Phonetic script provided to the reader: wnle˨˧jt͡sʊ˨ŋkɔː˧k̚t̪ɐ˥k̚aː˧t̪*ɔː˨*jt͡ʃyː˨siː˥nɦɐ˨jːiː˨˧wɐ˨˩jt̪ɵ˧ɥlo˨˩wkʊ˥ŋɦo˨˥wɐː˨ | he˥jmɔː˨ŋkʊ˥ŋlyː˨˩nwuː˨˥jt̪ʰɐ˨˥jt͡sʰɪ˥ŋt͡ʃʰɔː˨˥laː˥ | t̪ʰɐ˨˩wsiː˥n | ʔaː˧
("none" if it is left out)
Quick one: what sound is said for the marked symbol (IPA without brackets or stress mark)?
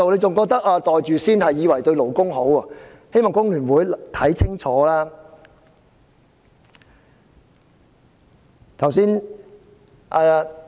ɔː˨